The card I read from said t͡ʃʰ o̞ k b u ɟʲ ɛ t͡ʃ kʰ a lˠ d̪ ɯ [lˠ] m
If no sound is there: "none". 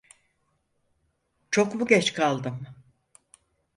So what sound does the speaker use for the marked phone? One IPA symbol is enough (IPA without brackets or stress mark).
none